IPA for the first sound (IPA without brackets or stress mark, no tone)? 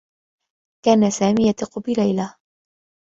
k